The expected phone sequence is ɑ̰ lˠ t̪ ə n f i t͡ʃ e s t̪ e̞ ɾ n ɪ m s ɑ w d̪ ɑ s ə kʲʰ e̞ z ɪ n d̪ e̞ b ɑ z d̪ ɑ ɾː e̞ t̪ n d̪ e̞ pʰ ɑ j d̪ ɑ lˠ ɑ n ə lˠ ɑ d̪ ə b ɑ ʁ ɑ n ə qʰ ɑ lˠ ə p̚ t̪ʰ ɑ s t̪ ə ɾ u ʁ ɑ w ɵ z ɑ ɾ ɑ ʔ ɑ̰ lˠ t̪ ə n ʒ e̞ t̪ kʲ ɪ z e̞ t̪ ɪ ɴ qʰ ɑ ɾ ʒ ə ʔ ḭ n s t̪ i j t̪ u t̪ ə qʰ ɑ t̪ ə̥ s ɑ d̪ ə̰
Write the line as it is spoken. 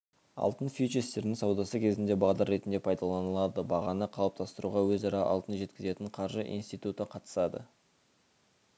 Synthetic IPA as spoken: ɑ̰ lˠ t̪ ə n f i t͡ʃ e s t̪ e̞ ɾ n ɪ ŋ s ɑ w d̪ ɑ s ə kʲʰ e̞ z ɪ n d̪ e̞ b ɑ ʁ d̪ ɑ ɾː e̞ t̪ n d̪ e̞ pʰ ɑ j d̪ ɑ lˠ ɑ n ə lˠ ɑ d̪ ə b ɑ ʁ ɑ n ə qʰ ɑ lˠ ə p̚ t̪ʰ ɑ s t̪ ə ɾ u ʁ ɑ w ɵ z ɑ ɾ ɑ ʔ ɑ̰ lˠ t̪ ə n ʒ e̞ t̪ kʲ ɪ z e̞ t̪ ɪ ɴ qʰ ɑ ɾ ʒ ə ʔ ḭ n s t̪ i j t̪ u t̪ ə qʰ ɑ t̪ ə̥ s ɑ d̪ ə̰